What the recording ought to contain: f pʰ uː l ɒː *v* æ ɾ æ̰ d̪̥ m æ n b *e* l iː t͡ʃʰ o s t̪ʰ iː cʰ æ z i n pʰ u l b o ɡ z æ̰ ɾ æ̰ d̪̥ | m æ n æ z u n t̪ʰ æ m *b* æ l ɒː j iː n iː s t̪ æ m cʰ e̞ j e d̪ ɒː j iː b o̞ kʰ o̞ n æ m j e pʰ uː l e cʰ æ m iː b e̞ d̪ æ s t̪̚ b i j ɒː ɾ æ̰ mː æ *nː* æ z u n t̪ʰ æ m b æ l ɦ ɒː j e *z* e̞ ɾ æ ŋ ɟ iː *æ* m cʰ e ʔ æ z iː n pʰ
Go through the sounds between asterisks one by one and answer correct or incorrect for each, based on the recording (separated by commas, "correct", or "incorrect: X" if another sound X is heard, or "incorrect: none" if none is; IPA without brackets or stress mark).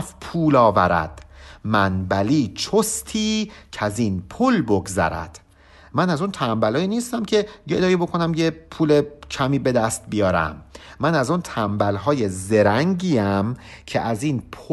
correct, incorrect: æ, correct, incorrect: n, correct, correct